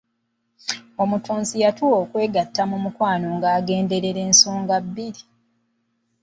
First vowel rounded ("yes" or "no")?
yes